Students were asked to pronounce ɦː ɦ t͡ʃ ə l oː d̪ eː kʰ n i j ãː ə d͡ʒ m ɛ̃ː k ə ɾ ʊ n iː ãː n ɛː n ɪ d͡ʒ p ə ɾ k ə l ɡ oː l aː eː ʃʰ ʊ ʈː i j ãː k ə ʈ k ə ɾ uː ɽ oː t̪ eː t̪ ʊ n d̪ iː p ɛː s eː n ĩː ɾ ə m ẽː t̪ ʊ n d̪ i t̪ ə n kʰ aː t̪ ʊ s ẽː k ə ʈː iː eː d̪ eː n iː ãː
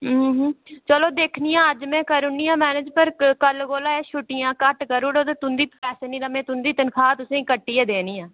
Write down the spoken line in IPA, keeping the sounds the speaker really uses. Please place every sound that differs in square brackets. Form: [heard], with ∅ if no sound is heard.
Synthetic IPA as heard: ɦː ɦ t͡ʃ ə l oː d̪ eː kʰ n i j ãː ə d͡ʒ m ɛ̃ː k ə ɾ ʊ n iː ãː [m] ɛː n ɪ d͡ʒ p ə ɾ k ə l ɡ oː l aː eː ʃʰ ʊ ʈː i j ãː k ə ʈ k ə ɾ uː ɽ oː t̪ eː t̪ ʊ n d̪ iː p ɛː s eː n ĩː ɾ ə m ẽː t̪ ʊ n d̪ [iː] t̪ ə n kʰ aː t̪ ʊ s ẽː k ə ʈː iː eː d̪ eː n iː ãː